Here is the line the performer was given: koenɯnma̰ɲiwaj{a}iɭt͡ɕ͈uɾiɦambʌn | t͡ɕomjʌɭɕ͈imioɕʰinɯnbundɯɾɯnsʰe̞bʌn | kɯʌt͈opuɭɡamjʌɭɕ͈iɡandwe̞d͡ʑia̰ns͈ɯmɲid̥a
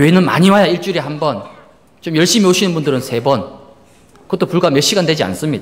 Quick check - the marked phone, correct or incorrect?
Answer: correct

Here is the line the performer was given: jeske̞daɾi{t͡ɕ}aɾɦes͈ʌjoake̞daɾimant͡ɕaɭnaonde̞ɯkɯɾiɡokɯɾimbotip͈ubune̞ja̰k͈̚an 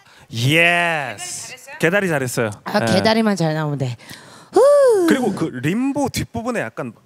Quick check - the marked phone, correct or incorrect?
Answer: correct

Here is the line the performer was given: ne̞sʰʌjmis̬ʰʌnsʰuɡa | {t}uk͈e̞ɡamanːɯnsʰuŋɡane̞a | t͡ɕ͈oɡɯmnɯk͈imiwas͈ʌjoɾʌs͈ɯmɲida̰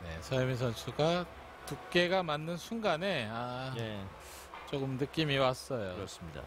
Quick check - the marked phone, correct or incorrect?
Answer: correct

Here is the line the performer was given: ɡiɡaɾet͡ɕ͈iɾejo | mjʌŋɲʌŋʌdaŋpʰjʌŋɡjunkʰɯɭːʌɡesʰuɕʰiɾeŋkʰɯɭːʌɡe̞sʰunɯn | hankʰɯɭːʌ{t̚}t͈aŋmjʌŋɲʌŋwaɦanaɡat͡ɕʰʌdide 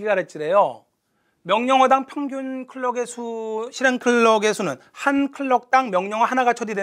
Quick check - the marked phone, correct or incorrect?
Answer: incorrect: k̚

